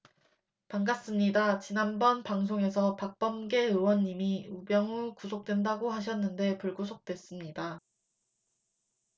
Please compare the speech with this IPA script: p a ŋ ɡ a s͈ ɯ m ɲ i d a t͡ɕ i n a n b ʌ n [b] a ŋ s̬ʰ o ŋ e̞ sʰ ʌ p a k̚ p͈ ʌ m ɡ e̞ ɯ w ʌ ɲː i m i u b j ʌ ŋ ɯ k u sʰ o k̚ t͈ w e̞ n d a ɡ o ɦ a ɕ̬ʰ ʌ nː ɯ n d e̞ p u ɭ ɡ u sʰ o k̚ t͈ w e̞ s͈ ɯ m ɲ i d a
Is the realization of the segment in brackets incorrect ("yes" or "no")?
yes